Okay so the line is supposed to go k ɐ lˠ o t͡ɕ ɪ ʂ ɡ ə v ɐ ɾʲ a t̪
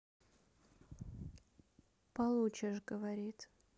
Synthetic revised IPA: p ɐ lˠ u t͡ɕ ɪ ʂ ɡ ə v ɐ ɾʲ i t̪